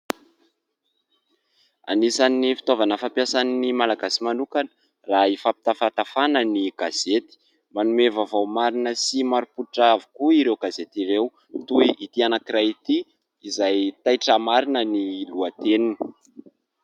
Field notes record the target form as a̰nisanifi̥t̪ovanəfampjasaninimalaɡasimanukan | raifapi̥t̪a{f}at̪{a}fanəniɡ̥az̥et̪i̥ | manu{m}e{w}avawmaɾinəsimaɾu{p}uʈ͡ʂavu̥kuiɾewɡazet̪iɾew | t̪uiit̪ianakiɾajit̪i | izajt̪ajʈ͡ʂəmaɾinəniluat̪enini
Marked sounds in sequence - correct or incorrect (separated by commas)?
correct, correct, correct, incorrect, correct